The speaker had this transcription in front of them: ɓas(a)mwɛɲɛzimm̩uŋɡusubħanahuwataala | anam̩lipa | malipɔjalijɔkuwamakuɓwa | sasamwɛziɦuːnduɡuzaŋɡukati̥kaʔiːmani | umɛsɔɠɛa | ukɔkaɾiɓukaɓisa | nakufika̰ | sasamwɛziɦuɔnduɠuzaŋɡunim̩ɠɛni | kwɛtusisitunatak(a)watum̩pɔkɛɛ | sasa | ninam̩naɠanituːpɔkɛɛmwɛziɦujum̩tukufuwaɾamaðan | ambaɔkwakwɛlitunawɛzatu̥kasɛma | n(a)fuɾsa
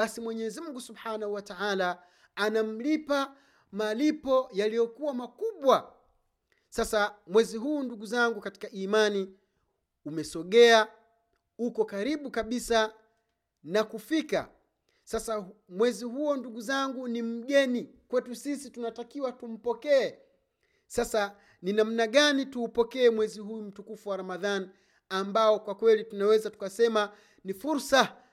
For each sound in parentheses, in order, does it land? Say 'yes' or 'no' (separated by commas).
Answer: no, no, no